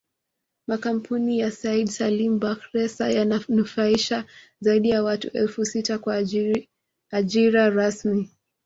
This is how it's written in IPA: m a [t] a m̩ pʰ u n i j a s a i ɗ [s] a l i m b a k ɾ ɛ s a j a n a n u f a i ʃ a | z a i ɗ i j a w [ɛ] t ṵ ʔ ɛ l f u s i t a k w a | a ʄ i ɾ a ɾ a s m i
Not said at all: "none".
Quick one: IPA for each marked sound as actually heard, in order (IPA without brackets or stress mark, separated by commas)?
k, s, a